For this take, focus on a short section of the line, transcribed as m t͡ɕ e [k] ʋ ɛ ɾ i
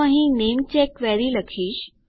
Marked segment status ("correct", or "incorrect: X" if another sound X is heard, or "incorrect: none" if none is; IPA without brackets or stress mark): correct